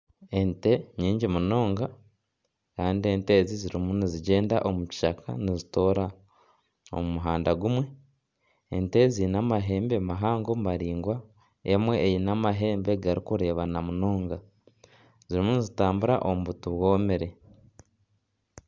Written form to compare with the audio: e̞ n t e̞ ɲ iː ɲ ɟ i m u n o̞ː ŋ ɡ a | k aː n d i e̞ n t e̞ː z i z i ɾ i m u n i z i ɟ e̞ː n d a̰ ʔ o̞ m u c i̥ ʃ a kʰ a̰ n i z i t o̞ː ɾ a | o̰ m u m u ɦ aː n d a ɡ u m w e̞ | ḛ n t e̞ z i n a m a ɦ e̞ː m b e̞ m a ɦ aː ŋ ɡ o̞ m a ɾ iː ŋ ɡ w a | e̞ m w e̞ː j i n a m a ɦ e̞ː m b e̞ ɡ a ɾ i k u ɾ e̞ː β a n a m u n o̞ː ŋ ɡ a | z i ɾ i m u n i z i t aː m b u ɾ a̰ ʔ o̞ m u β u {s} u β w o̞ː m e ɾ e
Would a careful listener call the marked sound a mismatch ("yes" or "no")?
yes